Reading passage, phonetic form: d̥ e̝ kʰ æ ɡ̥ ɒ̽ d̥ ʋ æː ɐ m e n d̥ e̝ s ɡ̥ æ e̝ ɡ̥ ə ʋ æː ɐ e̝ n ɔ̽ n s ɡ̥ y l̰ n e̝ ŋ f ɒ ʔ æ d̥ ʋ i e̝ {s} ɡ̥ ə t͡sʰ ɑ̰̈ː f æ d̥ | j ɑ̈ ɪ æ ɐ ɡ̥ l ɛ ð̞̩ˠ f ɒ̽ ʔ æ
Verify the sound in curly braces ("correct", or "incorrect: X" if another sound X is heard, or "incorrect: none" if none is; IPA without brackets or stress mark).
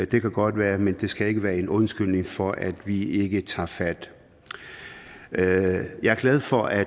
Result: incorrect: none